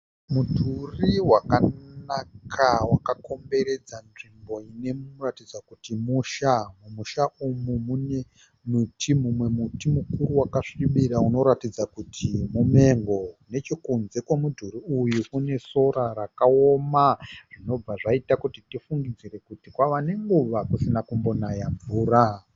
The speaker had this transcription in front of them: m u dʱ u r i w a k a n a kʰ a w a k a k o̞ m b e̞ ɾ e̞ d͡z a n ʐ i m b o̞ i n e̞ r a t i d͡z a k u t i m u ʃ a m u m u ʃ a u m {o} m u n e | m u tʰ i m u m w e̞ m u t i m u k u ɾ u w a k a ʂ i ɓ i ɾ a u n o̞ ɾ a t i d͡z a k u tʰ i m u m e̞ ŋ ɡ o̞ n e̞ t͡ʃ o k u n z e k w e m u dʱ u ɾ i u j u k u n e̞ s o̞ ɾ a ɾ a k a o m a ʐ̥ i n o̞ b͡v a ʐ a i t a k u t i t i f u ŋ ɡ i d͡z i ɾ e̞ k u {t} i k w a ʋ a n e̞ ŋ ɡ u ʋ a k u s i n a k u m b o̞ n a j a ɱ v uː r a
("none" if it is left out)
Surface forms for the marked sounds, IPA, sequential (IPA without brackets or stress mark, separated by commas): u, t